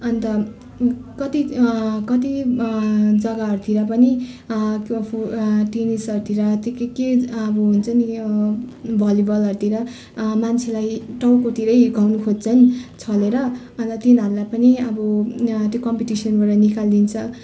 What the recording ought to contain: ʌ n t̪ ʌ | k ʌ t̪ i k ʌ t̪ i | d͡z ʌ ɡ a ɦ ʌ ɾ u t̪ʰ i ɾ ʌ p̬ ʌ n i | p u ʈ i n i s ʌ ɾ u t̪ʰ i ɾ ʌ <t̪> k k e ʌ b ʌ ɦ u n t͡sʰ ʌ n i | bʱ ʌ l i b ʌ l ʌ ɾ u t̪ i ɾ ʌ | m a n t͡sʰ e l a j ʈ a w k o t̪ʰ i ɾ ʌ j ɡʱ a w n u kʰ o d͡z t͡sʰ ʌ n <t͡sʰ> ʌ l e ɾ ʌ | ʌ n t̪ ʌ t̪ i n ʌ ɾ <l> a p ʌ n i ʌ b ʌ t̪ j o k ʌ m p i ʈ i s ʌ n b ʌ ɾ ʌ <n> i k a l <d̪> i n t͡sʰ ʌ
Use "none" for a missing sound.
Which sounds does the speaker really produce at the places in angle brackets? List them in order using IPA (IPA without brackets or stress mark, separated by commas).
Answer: t̪, t͡sʰ, l, n, d̪